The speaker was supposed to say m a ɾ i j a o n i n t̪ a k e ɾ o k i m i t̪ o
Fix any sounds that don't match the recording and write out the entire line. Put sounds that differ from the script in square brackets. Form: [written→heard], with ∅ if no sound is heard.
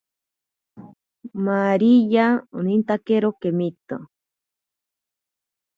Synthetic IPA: m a ɾ i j a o n i n t̪ a k e ɾ o k [i→e] m i t̪ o